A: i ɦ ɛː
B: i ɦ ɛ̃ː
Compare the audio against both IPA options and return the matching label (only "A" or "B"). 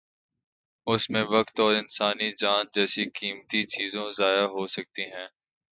B